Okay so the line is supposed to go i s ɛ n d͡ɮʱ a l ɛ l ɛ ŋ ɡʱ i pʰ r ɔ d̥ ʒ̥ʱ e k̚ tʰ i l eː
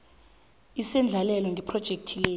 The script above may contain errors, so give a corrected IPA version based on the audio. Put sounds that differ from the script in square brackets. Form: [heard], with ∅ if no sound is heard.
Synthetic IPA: i s ɛ n d͡ɮʱ a l ɛ l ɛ ŋ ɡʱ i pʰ r ɔ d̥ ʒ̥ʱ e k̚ tʰ i l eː

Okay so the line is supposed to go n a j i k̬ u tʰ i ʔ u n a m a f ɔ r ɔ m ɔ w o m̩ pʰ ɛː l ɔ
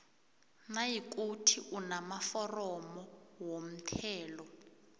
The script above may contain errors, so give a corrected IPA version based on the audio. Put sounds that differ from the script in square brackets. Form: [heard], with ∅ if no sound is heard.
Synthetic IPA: n a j i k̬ u tʰ i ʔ u n a m a f ɔ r ɔ m ɔ w o m̩ [tʰ] ɛː l ɔ

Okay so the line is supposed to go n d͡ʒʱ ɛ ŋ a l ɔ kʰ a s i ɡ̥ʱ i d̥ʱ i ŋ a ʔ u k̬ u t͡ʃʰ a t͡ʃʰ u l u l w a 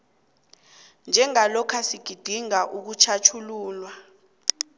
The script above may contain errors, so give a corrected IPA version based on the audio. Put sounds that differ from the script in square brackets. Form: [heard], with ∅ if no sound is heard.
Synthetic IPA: n d͡ʒʱ ɛ ŋ a l ɔ kʰ a s i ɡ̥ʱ i d̥ʱ i ŋ a ʔ u k̬ u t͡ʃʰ a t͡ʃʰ u l [uː] l w a

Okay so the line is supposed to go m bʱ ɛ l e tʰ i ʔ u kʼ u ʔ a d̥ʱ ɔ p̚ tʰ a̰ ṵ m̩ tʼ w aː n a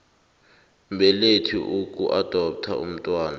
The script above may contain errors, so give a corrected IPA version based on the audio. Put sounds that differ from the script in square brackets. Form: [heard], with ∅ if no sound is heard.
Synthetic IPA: m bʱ ɛ l e tʰ i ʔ u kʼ u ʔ a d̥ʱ ɔ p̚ tʰ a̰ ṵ m̩ tʼ w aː n a

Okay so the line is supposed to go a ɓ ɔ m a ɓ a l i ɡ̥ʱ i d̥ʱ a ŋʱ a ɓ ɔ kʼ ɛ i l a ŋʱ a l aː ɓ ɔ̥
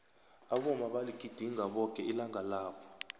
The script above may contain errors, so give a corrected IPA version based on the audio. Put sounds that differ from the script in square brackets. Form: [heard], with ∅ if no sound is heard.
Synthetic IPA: a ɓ ɔ m a ɓ a l i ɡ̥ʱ i d̥ʱ [i] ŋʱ a ɓ ɔ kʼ ɛ i l a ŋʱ a l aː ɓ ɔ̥

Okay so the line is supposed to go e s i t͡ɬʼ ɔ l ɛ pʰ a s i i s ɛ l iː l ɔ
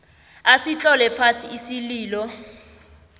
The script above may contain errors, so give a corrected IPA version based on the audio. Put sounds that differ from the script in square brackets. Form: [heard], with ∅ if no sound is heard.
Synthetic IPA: [a] s i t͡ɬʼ ɔ l ɛ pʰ a s i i s [i] l iː l ɔ

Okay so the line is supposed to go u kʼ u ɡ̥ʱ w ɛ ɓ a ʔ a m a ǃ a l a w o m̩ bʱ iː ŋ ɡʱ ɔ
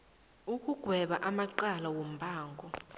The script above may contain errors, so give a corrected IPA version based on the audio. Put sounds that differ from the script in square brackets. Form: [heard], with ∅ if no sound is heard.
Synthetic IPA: u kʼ u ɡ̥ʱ w ɛ ɓ a ʔ a m a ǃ a l a w o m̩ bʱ [aː] ŋ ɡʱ ɔ

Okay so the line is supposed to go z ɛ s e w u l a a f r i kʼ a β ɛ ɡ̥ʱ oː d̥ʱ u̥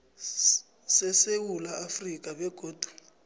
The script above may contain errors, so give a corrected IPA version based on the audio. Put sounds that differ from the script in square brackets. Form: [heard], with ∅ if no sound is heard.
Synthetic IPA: [s] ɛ s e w u l a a f r i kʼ a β ɛ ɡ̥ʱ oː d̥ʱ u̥

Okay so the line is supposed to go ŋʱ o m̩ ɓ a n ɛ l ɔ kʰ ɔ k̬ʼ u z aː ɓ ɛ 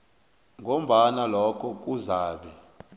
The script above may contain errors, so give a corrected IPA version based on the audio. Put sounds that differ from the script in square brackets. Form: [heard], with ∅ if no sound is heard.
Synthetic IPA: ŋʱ o m̩ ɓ a n [a] l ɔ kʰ ɔ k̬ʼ u z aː ɓ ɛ

